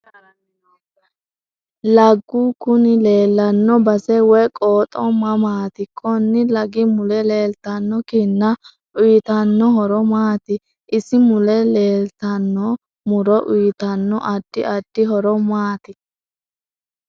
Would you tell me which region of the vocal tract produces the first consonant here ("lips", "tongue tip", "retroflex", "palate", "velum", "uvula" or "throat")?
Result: tongue tip